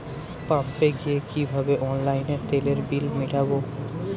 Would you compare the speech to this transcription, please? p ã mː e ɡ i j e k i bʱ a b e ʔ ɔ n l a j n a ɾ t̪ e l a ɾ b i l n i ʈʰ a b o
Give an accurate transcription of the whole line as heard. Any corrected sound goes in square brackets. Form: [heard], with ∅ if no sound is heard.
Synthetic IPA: p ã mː e ɡ i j e k i bʱ a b e ʔ ɔ n l a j n [e] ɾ t̪ e l [e] ɾ b i l [m] i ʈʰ a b o